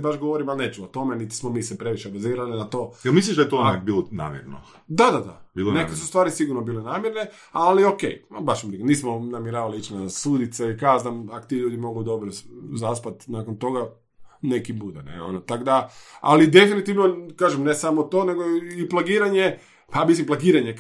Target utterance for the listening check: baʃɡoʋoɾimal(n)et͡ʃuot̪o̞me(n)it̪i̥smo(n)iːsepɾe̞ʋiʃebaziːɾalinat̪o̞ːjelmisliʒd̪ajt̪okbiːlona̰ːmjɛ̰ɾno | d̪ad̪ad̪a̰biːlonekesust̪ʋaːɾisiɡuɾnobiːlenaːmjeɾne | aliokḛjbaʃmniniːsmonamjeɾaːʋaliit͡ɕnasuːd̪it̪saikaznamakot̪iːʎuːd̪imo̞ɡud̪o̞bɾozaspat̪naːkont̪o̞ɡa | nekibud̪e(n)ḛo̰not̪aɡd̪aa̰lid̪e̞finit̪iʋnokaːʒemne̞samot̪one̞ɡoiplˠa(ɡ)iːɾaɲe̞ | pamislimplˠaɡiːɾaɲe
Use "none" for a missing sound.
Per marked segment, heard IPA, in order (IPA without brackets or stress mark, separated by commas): n, n, m, n, ɡ